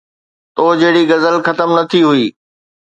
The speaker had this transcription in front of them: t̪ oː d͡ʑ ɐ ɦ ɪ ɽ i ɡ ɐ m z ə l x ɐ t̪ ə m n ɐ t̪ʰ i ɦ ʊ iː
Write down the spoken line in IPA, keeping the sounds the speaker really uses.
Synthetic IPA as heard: t̪ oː d͡ʑ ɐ ɦ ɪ ɽ i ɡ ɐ z ə l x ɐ t̪ ə m n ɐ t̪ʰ i ɦ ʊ iː